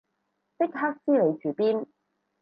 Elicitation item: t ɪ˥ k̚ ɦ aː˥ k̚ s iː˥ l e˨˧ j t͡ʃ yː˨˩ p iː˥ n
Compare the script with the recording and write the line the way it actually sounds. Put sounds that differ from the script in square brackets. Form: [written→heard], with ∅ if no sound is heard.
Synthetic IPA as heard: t ɪ˥ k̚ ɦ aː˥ k̚ s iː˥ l e˨˧ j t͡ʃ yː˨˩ p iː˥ n